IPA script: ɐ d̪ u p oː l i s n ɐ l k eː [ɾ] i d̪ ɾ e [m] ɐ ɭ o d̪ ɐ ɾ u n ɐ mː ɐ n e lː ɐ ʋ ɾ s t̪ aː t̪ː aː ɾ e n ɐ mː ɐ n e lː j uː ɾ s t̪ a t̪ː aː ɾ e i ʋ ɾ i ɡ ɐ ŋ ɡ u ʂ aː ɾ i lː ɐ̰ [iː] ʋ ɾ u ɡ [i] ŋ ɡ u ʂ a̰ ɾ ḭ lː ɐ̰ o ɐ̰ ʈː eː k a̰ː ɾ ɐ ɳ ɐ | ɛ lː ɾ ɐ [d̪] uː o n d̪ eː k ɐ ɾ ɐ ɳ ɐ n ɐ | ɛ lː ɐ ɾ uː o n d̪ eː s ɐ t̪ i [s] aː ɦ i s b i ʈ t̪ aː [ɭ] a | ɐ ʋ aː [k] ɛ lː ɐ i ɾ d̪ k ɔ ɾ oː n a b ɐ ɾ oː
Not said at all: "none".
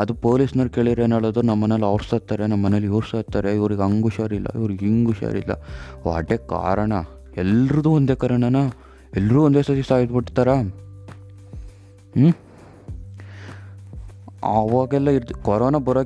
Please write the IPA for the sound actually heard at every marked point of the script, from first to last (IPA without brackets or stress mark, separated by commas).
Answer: ɭ, n, i, i, d̪, s, ɾ, ɡ